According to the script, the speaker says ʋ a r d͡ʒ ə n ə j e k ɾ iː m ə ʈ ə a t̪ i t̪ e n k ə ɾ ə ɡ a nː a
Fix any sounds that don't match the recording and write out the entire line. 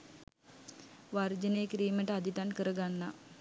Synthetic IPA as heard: ʋ a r d͡ʒ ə n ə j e k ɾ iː m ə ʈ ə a d̪ i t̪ a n k ə ɾ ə ɡ a nː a